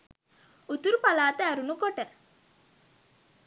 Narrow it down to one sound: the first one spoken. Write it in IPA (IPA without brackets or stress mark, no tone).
u